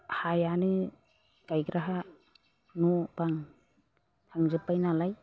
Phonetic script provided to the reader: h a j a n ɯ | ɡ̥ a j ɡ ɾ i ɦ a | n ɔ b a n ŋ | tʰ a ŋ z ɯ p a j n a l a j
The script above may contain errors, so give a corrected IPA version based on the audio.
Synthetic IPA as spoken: h a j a n ɯ | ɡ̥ a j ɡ ɾ a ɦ a | n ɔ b a ŋ | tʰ a ŋ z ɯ p a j n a l a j

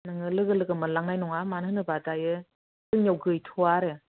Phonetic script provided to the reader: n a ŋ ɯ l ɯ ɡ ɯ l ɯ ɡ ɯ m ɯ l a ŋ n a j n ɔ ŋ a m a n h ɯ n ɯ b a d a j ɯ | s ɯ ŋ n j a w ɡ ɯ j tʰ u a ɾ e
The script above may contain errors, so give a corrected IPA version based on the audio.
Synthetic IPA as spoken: n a ŋ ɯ l ɯ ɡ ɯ l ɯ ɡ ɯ m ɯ l a ŋ n a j n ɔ ŋ a m a n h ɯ n ɯ b a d a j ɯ | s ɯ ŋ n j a w ɡ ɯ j tʰ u a ɾ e

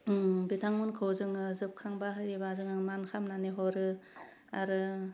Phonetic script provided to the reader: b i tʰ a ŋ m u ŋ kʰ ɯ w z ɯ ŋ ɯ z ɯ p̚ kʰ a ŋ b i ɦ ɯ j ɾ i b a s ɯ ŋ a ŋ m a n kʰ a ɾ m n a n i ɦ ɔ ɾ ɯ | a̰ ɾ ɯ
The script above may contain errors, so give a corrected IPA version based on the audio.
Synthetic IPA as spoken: b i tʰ a ŋ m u n kʰ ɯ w z ɯ ŋ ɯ z ɯ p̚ kʰ a ŋ b a ɦ ɯ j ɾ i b a z ɯ ŋ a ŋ m a n kʰ a m n a n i ɦ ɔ ɾ ɯ | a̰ ɾ ɯ

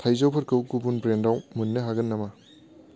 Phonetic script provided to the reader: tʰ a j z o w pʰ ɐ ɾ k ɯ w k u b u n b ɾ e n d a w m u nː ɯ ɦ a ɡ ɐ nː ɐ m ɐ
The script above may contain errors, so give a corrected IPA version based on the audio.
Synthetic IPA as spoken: tʰ a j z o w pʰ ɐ ɾ k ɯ w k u b u n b ɾ e n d a w m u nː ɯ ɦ a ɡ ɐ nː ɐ m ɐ

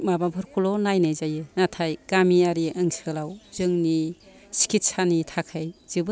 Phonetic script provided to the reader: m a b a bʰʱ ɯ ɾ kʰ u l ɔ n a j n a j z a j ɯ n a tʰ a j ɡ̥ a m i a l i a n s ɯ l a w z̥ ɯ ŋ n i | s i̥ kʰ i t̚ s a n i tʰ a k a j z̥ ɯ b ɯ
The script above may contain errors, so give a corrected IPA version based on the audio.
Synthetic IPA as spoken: m a b a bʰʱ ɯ ɾ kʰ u l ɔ n a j n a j z a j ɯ n a tʰ a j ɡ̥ a m i a ɾ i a ŋ s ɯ l a w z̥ ɯ ŋ n i | s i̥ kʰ i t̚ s a n i tʰ a kʰ a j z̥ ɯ b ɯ

